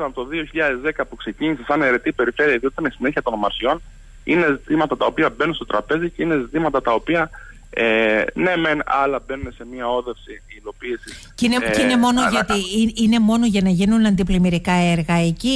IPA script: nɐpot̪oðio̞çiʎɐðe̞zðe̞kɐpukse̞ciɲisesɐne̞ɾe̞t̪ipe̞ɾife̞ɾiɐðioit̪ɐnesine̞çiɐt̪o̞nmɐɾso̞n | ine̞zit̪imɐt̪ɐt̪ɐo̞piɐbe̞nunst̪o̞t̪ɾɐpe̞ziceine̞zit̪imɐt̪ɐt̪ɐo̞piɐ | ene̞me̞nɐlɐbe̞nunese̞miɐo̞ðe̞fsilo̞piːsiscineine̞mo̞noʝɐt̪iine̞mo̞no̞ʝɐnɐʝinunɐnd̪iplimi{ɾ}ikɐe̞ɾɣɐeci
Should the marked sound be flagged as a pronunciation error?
no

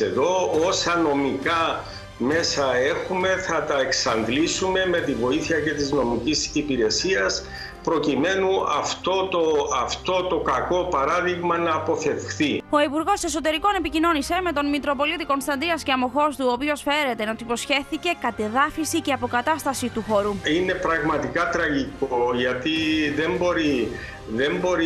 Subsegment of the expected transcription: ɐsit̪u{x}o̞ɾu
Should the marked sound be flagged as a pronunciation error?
no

